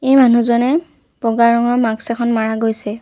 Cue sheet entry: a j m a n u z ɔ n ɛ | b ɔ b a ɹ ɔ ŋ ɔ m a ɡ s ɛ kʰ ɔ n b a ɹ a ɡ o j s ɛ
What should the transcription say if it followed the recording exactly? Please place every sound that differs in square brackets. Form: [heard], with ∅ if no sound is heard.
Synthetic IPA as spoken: [e] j m a n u z ɔ n ɛ | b ɔ [ɡ] a ɹ ɔ ŋ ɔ m a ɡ s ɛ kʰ ɔ n [m] a ɹ a ɡ o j s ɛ